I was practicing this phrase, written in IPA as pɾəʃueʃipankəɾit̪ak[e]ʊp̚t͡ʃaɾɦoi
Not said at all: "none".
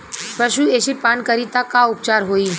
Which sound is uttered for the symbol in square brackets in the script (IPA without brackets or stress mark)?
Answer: a